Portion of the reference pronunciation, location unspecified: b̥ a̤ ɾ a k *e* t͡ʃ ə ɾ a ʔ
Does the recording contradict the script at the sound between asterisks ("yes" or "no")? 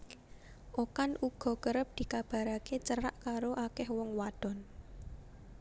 no